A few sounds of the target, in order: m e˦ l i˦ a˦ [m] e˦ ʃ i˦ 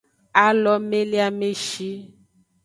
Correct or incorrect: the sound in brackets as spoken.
correct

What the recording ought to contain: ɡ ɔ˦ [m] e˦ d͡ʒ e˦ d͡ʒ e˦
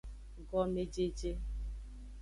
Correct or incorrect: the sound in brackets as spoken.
correct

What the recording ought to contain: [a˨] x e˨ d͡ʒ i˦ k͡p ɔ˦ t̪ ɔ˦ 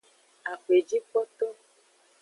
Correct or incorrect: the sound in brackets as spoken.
correct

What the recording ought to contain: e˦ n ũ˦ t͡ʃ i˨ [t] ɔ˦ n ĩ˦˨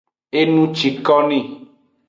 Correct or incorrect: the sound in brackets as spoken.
incorrect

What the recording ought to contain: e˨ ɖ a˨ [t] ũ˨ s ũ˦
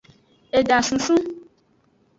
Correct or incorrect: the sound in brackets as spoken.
incorrect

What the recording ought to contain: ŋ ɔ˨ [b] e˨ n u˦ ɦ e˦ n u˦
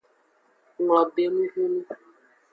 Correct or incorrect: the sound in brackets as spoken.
correct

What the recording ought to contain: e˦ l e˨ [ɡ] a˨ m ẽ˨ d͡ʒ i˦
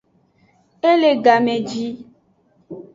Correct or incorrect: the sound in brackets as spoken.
correct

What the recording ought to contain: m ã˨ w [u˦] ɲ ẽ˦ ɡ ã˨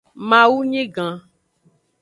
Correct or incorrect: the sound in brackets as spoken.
correct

